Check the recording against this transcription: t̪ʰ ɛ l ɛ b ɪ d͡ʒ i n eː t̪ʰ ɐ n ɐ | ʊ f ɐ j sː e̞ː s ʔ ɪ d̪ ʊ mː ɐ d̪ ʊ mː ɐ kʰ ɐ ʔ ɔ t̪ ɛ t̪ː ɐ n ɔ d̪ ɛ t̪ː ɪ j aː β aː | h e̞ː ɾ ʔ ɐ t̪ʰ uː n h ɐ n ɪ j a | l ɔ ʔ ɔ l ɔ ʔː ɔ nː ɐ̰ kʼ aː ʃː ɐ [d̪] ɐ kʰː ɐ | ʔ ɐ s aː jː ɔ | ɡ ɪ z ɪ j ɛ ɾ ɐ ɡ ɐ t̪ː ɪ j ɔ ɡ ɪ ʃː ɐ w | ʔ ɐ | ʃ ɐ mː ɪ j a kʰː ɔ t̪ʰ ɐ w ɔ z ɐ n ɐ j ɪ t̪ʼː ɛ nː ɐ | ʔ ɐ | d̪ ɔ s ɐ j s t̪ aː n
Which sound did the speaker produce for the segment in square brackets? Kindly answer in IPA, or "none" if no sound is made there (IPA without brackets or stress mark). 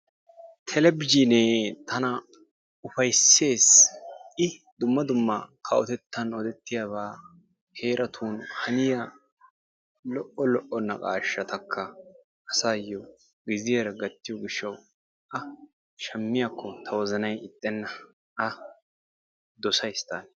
t̪